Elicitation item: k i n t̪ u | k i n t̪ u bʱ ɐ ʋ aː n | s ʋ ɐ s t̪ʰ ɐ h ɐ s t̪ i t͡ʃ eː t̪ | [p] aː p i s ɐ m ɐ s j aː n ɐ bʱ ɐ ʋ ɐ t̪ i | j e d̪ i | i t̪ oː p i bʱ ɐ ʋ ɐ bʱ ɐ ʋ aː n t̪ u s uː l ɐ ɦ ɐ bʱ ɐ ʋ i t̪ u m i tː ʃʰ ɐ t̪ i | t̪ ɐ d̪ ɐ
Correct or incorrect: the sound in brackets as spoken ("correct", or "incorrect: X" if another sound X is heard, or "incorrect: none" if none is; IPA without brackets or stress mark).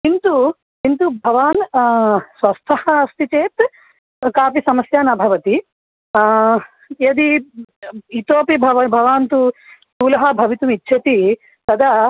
incorrect: k